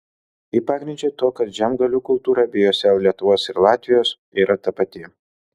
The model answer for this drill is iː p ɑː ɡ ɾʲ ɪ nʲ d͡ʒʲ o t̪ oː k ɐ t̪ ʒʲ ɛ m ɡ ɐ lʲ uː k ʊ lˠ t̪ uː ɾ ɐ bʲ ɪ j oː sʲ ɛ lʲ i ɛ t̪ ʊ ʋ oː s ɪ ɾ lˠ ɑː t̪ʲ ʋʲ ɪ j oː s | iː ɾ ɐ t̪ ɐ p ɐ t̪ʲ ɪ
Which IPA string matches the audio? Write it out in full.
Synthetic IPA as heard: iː p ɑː ɡ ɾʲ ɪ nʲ d͡ʒʲ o t̪ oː k ɐ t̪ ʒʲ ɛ m ɡ ɐ lʲ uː k ʊ lˠ t̪ uː ɾ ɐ bʲ ɪ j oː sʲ ɛ lʲ i ɛ t̪ ʊ ʋ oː s ɪ ɾ lˠ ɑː t̪ʲ ʋʲ ɪ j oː s | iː ɾ ɐ t̪ ɐ p ɐ t̪ʲ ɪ

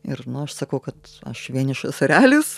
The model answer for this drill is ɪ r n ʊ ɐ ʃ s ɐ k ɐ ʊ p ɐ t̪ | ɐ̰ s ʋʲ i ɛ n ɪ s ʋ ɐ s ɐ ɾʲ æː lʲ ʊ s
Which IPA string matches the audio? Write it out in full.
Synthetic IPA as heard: ɪ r n ʊ ɐ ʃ s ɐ k ɐ ʊ k ɐ t̪ | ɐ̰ ʃ ʋʲ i ɛ n ɪ ʃ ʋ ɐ s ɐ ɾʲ æː lʲ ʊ s

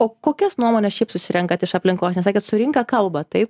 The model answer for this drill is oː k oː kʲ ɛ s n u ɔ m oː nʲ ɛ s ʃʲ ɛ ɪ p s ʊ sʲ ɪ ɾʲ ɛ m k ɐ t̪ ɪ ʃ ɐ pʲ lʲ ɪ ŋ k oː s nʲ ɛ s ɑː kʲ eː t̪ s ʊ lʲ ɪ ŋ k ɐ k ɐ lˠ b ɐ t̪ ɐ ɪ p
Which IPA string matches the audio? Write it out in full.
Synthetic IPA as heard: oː k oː kʲ ɛ s n u ɔ m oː nʲ ɛ s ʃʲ ɛ ɪ p s ʊ sʲ ɪ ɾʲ ɛ ŋ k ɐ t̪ ɪ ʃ ɐ pʲ lʲ ɪ ŋ k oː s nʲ ɛ s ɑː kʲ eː t̪ s ʊ ɾʲ ɪ ŋ k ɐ k ɐ lˠ b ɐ t̪ ɐ ɪ p

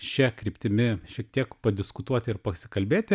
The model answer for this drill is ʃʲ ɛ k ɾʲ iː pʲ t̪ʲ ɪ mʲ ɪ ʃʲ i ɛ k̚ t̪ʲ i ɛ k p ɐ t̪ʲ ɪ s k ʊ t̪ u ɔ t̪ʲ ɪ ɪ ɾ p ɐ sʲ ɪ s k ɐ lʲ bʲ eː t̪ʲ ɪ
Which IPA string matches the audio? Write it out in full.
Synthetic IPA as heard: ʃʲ ɛ k ɾʲ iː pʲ t̪ʲ ɪ mʲ ɪ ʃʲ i ɛ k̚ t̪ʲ i ɛ k p ɐ d̪ʲ ɪ s k ʊ t̪ u ɔ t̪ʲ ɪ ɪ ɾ p ɐ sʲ ɪ k ɐ lʲ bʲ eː t̪ʲ ɪ

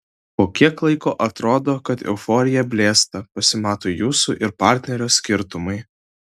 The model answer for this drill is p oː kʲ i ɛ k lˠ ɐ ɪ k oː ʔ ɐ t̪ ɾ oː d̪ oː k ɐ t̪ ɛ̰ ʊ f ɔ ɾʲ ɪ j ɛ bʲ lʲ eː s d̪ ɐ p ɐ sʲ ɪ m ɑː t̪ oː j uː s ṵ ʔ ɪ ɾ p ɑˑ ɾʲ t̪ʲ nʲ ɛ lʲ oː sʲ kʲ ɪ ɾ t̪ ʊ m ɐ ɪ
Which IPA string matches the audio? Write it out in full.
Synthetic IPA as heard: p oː kʲ i ɛ k lˠ ɐ ɪ k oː ʔ ɐ t̪ ɾ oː d̪ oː k ɐ t̪ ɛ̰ ʊ f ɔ ɾʲ ɪ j ɛ bʲ lʲ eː s t̪ ɐ p ɐ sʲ ɪ m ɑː t̪ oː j uː s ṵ ʔ ɪ ɾ p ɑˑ ɾʲ t̪ʲ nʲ ɛ ɾʲ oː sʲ kʲ ɪ ɾ t̪ ʊ m ɐ ɪ

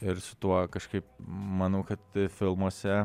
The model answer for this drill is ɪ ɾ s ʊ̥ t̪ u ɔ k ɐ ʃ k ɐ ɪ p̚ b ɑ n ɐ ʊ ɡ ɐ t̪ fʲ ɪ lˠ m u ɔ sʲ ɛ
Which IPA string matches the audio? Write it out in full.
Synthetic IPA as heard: ɪ ɾ s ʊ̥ t̪ u ɔ k ɐ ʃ k ɐ ɪ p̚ m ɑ n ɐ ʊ k ɐ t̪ fʲ ɪ lˠ m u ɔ sʲ ɛ

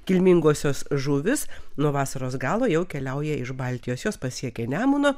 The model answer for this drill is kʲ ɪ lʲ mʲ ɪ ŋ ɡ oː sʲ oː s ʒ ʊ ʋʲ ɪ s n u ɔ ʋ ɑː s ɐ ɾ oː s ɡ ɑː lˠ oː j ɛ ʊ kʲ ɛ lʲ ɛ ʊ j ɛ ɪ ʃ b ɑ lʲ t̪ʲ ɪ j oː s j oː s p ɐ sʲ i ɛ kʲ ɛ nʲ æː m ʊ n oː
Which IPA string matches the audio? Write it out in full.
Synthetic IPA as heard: kʲ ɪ lʲ mʲ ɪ ŋ ɡ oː sʲ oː s ʒ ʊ ʋʲ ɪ s n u ɔ ʋ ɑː s ɐ ɾ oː s ɡ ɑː lˠ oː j ɛ ʊ kʲ ɛ lʲ ɛ ʊ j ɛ ɪ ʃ b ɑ lʲ t̪ʲ ɪ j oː s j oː s p ɐ sʲ i ɛ kʲ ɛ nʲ æː m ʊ n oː

